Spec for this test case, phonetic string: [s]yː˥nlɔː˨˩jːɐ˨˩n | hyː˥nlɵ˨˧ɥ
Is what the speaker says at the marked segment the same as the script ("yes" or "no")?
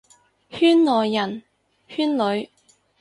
no